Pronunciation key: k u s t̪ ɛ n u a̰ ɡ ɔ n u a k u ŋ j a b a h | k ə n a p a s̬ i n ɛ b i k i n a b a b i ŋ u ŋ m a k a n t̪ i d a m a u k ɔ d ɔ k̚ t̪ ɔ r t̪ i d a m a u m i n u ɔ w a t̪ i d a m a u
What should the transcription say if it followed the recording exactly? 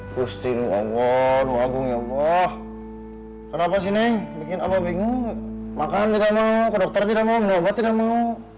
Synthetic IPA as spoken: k u s t̪ i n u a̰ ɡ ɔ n u a ɡ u ŋ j a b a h | k ə n a p a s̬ i n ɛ b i k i n a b a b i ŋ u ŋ m a k a n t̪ i d a m a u k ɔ d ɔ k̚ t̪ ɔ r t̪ i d a m a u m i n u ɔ b a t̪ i d a m a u